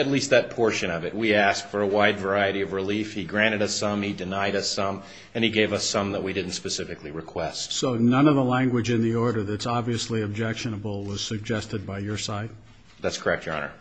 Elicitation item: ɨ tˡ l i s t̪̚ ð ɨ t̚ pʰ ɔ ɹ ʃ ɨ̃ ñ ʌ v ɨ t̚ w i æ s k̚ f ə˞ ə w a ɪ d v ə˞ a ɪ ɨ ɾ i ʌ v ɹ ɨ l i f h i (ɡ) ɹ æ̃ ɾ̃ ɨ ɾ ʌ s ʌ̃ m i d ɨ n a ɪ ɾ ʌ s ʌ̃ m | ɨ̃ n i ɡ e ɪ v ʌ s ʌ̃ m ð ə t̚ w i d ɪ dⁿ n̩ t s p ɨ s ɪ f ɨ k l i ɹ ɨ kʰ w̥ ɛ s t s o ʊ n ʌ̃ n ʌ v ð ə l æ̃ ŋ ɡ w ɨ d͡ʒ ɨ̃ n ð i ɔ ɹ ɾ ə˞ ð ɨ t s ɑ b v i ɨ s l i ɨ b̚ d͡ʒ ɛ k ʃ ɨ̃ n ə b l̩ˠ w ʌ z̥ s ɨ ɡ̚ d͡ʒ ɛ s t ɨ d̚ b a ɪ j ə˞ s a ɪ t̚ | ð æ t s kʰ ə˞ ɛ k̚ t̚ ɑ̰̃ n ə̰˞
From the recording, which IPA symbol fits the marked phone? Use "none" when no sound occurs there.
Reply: ɡ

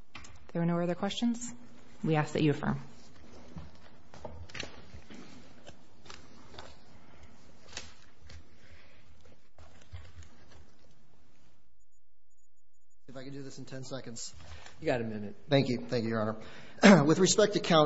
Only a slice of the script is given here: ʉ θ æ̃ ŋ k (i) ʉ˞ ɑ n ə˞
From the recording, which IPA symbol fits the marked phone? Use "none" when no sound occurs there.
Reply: j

